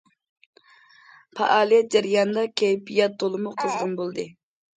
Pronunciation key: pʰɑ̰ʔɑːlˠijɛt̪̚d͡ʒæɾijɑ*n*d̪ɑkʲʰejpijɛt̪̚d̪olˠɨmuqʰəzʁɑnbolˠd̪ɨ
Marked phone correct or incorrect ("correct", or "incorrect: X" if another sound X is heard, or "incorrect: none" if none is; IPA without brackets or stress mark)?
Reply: correct